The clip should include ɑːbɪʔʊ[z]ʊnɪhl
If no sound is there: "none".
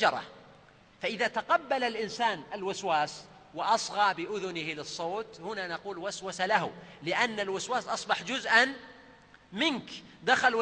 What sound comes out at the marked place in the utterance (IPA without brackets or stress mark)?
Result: ð